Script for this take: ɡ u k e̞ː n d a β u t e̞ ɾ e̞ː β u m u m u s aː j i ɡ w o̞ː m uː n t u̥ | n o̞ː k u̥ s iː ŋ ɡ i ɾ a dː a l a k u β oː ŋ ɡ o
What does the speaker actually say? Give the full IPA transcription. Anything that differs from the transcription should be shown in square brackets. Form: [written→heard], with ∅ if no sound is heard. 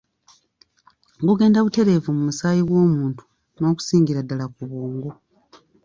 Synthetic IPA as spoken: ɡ u [k→ɡ] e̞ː n d a β u t e̞ ɾ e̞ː [β→v] u m u m u s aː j i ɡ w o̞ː m uː n t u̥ | n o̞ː k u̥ s iː ŋ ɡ i ɾ a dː a l a k u β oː ŋ ɡ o